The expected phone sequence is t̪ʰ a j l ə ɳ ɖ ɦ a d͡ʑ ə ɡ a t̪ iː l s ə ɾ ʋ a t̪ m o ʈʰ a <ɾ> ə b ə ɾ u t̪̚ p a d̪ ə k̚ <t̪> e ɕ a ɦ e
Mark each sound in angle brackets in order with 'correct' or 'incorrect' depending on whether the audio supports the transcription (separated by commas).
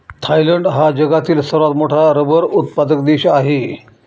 correct, incorrect